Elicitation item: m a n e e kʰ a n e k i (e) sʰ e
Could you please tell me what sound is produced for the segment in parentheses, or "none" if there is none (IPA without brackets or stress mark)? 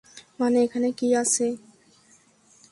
a